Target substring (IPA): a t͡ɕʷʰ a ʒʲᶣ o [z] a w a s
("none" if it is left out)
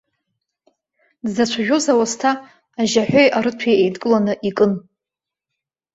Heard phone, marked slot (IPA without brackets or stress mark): z